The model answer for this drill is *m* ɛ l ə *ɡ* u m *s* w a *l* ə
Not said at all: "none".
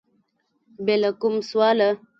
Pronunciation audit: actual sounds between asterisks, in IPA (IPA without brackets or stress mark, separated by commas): b, k, s, l